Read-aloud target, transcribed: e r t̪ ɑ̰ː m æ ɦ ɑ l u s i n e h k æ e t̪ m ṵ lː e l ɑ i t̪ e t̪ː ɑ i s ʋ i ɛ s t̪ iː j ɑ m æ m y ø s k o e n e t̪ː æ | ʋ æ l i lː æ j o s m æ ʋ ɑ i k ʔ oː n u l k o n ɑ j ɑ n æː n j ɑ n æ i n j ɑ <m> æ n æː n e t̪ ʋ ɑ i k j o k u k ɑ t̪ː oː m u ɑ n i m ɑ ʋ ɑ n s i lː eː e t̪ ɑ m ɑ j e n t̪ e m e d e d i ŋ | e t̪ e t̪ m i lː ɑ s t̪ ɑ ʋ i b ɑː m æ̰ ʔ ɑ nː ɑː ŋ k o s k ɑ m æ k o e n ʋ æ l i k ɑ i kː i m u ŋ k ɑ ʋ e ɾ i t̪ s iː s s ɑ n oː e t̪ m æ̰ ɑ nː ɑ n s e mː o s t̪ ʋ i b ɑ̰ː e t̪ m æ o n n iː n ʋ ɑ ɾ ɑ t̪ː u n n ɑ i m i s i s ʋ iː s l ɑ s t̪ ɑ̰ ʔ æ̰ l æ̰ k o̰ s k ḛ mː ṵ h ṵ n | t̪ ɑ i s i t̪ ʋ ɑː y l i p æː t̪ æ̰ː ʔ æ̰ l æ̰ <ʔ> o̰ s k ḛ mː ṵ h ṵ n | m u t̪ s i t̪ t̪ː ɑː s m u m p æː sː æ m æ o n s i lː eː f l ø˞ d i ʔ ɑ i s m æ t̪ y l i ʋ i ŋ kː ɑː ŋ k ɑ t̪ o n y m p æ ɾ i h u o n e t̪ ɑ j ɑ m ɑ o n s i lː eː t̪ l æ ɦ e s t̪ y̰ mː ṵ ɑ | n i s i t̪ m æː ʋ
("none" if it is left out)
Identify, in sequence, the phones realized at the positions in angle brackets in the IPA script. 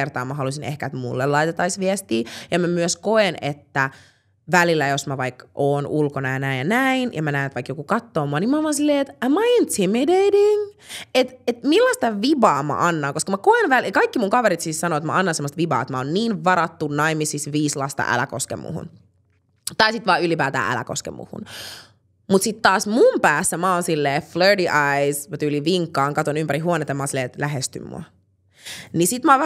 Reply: m, k

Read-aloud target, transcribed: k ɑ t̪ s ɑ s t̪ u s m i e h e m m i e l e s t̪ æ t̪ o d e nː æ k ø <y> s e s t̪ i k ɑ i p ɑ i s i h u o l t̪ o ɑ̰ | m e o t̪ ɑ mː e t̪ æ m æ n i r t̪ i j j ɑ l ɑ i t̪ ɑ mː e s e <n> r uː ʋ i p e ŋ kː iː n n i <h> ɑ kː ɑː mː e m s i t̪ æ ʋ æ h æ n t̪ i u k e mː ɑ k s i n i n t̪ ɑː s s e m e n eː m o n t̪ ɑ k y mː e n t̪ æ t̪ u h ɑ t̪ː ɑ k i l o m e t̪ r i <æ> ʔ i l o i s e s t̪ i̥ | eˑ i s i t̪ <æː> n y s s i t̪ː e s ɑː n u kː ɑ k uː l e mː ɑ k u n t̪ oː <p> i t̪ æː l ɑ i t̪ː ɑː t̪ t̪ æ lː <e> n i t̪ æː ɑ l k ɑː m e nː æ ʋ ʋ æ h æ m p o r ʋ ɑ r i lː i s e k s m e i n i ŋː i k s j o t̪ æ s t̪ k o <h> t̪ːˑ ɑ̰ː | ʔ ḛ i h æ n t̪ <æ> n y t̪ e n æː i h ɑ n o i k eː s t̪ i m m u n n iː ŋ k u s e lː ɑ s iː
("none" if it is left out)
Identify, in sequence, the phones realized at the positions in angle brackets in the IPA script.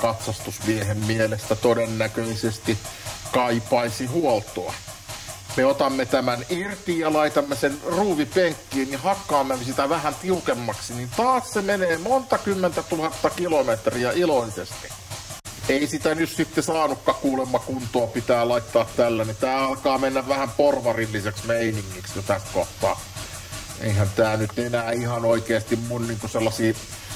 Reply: i, n, h, æ, æ, p, æ, h, æː

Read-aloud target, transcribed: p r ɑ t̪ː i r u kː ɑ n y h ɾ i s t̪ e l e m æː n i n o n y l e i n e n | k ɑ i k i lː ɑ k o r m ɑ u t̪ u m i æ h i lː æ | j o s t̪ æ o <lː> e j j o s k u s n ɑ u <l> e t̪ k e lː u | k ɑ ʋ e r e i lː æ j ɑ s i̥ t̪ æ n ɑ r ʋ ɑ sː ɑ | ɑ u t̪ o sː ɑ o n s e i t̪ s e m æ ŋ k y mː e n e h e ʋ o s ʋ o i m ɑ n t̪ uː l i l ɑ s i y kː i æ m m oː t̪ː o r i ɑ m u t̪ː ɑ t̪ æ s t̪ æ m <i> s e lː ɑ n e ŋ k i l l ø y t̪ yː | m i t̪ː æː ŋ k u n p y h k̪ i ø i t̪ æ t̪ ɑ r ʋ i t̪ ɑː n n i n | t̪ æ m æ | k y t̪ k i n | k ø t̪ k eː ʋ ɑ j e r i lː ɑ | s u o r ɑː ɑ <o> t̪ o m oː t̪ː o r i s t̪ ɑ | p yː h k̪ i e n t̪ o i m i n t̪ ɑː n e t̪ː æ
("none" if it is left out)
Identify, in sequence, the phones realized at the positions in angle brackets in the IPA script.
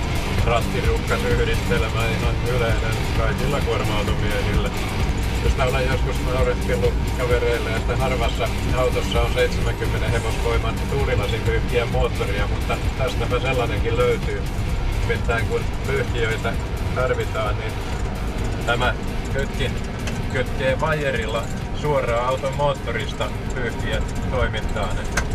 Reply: l, r, æ, u

